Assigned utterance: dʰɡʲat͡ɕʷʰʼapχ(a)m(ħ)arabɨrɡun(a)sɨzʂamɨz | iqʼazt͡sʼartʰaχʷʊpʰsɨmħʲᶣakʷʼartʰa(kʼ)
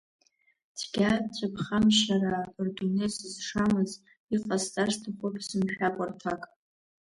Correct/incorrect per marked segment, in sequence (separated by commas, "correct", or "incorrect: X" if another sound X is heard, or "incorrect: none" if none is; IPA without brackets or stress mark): correct, incorrect: ʃ, incorrect: e, correct